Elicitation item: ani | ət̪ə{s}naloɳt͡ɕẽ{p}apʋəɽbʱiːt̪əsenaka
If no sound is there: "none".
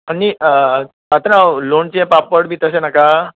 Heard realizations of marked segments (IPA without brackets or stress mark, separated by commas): none, p